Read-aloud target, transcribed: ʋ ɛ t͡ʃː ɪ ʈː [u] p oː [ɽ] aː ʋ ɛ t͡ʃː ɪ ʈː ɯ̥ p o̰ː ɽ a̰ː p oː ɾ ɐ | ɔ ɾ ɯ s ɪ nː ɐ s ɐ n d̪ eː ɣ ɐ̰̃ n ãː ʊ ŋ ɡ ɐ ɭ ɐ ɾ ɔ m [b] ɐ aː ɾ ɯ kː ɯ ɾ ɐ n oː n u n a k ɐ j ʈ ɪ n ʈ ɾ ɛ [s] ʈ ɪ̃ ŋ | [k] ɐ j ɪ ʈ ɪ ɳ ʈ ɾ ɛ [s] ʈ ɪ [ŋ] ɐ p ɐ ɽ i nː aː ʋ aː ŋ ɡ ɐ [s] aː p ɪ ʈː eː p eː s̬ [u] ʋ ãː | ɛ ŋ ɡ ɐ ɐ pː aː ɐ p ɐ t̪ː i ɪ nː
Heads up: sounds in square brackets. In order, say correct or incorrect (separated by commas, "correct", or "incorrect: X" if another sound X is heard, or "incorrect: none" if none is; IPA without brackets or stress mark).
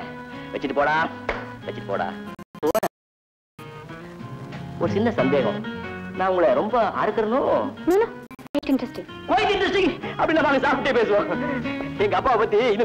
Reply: incorrect: ɯ, correct, correct, correct, correct, correct, correct, correct, incorrect: ɯ